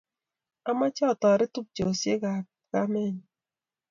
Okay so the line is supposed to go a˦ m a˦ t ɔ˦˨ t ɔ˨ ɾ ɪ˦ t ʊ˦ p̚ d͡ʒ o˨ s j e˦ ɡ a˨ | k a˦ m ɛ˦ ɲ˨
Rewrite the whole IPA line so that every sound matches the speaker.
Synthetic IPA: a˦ m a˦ t͡ʃ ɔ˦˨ t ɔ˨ ɾ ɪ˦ t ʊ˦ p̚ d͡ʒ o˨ s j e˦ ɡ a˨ | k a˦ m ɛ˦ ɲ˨